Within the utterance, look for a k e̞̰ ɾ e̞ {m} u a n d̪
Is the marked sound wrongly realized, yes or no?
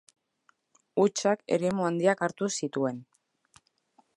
no